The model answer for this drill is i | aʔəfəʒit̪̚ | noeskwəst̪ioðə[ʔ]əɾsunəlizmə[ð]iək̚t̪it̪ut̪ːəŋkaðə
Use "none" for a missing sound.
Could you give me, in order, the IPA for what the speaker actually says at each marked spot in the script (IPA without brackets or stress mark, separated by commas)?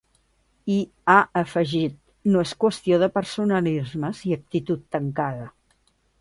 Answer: p, z